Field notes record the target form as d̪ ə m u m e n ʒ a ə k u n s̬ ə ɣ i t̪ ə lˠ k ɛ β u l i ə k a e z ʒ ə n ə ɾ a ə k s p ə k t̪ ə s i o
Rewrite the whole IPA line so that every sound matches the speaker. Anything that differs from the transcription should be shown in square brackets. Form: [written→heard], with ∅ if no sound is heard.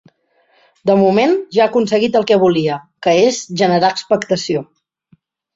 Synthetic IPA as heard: d̪ ə m u m e n ʒ a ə k u n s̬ ə ɣ i t̪ ə lˠ k ɛ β u l i ə k [a→ə] e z ʒ ə n ə ɾ a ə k s p ə k t̪ ə s i o